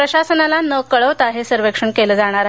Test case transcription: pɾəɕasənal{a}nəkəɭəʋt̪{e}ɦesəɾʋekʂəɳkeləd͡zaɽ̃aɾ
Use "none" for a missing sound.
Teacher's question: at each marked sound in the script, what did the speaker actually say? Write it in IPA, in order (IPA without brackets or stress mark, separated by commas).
a, a